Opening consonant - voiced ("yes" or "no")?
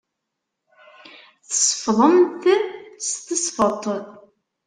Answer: no